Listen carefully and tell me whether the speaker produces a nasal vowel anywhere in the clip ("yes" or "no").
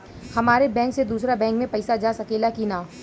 yes